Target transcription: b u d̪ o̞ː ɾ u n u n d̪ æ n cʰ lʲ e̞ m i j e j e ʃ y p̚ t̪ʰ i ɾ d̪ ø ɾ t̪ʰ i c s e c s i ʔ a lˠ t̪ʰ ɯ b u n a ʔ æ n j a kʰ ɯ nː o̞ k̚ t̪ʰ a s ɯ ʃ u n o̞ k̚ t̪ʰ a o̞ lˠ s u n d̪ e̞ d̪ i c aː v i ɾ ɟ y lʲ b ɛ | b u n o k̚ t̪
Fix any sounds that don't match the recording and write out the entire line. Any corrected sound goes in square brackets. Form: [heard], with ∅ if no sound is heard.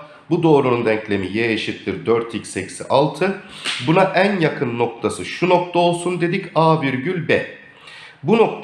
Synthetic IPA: b u d̪ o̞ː ɾ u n u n d̪ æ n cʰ lʲ e̞ m i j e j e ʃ [i] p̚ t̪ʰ i ɾ d̪ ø ɾ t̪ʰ i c s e c s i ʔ a lˠ t̪ʰ ɯ b u n a ʔ æ n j a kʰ ɯ nː o̞ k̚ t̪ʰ a s ɯ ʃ u n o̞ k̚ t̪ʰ a o̞ lˠ s u n d̪ e̞ d̪ i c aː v i ɾ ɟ y lʲ b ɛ | b u n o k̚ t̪